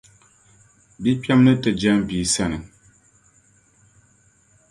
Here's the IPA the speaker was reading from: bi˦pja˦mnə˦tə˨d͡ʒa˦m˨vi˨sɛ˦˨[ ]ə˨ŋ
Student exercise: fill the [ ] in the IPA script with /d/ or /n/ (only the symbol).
n